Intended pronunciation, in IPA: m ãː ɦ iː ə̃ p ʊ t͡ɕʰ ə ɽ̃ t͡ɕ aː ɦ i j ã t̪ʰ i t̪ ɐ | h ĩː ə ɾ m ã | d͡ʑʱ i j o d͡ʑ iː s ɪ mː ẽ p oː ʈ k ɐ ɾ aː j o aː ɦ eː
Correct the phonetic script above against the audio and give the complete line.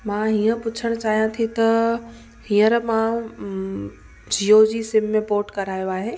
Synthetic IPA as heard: m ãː ɦ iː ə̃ p ʊ t͡ɕʰ ə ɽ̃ t͡ɕ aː ɦ i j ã t̪ʰ i t̪ ɐ | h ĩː ə ɾ m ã | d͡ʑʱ i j o d͡ʑ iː s ɪ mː ẽ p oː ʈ k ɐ ɾ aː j o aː ɦ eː